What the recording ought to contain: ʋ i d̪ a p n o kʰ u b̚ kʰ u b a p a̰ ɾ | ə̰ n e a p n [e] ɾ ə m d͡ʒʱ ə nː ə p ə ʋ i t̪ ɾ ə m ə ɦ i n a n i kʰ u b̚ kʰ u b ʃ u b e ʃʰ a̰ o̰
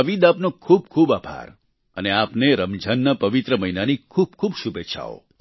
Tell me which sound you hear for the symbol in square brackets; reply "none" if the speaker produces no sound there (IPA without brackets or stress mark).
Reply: e